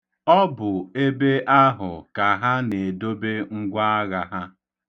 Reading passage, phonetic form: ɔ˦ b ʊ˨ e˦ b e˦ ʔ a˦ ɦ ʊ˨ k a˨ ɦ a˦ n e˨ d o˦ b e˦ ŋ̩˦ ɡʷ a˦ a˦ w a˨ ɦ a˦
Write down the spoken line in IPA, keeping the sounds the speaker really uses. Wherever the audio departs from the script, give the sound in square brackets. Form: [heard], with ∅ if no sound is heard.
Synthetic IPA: ɔ˦ b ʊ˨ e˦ b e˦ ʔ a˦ ɦ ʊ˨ k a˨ ɦ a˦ n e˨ d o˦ b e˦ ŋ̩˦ ɡʷ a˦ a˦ [ɣ] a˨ ɦ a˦